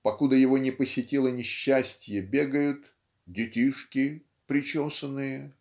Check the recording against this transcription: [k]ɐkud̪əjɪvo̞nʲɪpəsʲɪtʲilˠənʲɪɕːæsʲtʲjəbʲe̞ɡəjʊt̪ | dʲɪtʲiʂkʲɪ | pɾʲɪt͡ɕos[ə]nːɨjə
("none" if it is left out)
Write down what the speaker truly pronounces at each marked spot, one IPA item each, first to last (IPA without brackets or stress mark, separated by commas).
p, ə